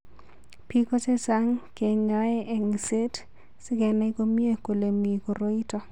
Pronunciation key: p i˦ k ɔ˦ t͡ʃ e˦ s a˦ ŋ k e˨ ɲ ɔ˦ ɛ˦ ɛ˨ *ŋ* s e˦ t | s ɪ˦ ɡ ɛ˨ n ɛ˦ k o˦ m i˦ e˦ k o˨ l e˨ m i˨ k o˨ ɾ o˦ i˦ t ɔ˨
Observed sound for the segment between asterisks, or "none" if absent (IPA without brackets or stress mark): ŋ